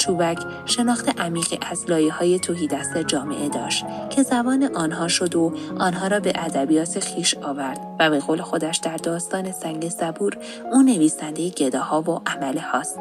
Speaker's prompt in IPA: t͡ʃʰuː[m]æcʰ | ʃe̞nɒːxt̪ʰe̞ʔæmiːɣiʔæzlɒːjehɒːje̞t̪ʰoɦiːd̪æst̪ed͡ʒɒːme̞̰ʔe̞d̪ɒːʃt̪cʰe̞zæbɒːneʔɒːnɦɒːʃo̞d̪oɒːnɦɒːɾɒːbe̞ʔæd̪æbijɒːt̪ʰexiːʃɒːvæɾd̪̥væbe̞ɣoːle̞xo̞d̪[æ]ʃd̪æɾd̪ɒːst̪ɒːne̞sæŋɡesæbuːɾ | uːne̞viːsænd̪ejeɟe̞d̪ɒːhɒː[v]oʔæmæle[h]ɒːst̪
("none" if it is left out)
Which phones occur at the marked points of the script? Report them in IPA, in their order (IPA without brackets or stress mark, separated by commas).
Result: b, æ, v, h